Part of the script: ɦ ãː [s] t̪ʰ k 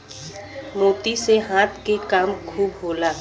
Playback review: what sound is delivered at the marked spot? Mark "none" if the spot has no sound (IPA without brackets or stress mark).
none